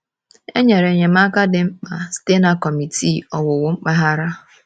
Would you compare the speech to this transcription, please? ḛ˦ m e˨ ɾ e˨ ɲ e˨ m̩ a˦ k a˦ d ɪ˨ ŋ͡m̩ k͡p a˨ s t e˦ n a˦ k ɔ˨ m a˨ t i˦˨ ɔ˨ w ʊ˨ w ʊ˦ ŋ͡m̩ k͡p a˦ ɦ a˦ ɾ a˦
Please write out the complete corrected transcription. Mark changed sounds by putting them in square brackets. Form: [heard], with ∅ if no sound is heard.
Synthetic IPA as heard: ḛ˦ [ɲ] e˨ ɾ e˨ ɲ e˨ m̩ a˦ k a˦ d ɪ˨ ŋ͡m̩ k͡p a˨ s t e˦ n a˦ k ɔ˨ m [i˨] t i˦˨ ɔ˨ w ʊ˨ w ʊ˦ ŋ͡m̩ k͡p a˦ ɦ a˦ ɾ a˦